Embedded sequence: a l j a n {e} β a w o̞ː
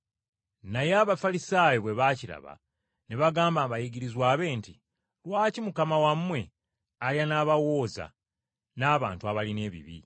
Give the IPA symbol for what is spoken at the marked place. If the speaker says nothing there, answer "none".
a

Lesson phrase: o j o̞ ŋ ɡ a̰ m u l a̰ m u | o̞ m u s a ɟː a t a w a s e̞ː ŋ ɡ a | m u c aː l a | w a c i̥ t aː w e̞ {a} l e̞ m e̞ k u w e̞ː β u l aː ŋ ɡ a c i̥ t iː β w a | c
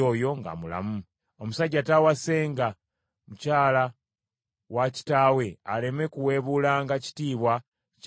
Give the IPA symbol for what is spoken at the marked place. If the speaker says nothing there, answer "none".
a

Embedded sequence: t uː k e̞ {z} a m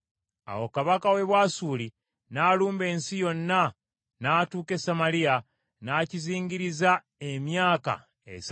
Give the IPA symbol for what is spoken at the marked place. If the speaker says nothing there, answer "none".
s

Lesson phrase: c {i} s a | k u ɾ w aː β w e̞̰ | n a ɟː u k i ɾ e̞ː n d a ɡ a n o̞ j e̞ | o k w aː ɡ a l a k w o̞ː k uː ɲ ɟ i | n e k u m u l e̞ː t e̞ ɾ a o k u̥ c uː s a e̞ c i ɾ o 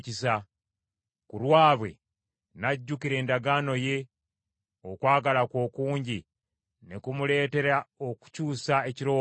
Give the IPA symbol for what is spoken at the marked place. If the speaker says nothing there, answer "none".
i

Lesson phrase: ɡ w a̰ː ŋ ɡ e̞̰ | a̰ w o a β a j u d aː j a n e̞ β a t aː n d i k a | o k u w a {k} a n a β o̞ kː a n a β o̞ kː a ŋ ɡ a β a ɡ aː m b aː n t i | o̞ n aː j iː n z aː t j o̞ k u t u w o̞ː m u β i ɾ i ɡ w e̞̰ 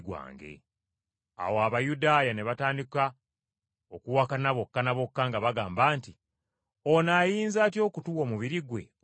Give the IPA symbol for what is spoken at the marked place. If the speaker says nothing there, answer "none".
k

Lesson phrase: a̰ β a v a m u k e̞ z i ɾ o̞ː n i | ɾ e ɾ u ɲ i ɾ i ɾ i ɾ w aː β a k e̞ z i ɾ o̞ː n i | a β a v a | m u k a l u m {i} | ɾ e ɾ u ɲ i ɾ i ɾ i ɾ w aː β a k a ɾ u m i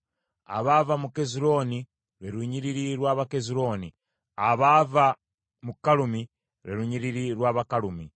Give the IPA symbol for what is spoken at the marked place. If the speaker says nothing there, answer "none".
i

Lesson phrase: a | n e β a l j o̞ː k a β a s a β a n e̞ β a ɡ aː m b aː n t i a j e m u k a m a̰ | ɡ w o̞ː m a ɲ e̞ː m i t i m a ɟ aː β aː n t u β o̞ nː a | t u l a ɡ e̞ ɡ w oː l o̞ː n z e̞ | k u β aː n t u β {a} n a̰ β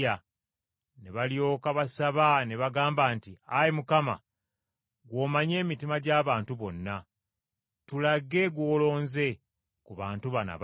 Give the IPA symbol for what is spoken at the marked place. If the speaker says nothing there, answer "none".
a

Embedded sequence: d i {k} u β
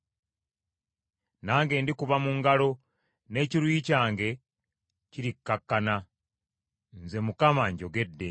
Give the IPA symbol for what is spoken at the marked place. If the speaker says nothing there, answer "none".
k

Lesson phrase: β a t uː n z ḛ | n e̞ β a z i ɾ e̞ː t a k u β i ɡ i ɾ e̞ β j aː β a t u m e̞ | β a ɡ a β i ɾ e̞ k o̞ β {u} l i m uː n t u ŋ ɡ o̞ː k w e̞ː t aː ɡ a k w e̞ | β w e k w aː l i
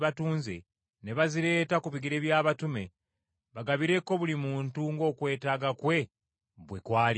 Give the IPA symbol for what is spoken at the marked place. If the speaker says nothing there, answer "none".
u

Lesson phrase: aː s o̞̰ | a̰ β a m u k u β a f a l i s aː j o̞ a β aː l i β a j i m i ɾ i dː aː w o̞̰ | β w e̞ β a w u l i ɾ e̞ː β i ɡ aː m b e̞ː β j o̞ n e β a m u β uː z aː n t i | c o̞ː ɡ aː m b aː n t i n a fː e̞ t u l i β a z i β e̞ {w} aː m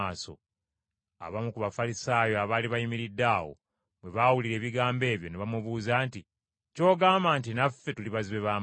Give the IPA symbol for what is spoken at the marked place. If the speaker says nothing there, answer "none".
β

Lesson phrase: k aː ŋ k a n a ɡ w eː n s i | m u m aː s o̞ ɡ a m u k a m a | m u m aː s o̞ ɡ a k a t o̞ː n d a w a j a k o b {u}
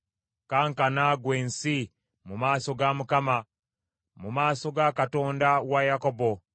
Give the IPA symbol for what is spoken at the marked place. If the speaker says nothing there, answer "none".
o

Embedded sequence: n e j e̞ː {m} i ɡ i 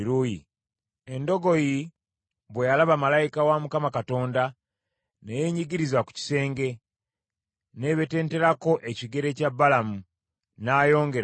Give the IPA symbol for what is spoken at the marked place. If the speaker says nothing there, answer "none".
ɲ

